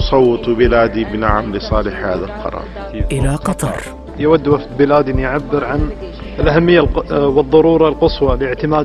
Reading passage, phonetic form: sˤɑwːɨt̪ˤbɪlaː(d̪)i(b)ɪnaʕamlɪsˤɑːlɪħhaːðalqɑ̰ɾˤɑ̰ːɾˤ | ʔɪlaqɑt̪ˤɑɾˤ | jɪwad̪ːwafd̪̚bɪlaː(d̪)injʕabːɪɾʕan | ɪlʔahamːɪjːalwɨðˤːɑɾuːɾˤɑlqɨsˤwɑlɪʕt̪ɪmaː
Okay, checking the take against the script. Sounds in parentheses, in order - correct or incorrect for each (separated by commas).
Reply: correct, correct, correct